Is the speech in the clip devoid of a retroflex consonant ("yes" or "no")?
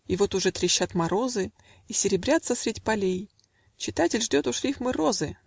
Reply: no